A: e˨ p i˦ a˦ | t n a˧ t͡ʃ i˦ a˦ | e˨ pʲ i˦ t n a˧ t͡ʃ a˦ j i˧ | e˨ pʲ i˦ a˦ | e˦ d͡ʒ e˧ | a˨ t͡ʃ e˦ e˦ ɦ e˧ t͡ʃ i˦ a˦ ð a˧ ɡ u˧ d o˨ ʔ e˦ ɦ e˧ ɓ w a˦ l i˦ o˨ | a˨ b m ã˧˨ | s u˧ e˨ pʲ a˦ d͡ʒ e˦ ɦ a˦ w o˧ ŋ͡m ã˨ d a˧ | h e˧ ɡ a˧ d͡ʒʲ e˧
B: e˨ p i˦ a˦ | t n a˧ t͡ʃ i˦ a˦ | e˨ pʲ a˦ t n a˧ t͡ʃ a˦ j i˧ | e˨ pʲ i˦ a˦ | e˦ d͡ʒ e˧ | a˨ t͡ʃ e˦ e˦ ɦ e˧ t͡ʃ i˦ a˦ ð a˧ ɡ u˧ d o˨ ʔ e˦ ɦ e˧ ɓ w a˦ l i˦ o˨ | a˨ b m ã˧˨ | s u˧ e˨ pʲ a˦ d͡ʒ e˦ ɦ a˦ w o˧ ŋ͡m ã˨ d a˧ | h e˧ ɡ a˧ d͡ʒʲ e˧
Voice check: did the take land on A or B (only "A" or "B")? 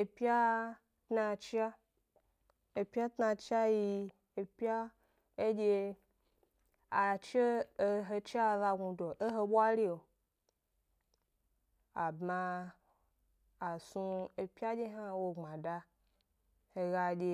B